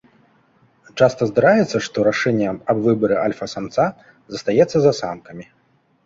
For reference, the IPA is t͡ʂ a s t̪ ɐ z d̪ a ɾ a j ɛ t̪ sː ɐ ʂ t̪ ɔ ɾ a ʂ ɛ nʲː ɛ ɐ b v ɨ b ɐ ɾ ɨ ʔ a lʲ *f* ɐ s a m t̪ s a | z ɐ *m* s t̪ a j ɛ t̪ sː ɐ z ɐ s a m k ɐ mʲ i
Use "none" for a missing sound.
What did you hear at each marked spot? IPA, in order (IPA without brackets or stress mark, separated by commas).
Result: f, none